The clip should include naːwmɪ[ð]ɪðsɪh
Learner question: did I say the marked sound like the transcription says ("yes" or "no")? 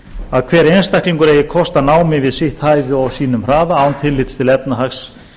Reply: no